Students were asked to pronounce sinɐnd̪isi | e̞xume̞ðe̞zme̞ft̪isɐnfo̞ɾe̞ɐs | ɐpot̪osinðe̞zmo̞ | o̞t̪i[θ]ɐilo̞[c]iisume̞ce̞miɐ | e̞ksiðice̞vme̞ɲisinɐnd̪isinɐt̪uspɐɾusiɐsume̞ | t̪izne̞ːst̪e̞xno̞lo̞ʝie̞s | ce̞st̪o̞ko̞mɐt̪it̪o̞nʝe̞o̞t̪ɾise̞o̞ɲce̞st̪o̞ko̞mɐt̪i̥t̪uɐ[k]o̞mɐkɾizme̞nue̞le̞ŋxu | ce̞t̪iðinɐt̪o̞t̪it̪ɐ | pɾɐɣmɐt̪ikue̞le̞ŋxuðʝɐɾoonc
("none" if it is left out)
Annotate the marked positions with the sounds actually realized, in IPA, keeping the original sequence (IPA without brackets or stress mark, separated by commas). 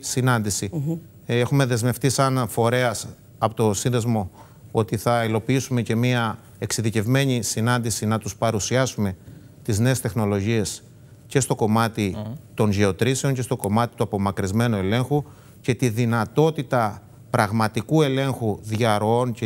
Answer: θ, p, p